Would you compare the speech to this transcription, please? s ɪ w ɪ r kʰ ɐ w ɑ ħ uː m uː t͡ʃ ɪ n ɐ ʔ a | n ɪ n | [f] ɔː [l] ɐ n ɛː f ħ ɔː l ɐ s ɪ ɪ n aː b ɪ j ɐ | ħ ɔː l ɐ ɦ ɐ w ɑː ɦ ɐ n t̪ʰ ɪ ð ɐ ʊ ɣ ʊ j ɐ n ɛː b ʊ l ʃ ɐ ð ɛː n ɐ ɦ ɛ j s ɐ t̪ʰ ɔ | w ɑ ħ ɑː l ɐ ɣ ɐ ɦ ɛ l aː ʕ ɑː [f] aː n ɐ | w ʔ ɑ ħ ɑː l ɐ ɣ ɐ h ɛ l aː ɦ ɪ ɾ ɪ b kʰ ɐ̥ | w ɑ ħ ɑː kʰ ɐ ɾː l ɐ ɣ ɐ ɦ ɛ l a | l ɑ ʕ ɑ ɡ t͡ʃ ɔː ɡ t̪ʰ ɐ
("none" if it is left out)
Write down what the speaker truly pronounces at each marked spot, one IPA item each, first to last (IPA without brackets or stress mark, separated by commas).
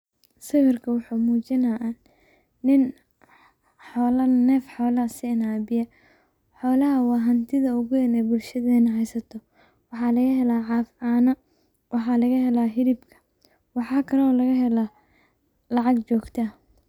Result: ħ, l, f